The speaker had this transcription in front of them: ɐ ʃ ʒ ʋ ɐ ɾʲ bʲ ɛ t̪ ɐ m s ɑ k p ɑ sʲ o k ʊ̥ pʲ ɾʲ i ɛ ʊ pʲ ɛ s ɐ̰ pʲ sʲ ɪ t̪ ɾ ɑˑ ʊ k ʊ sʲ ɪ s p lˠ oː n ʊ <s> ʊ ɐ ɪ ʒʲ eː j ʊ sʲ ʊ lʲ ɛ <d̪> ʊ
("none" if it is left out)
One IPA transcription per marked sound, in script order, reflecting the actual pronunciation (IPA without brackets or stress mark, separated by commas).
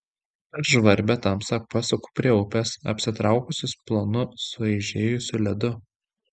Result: s, d̪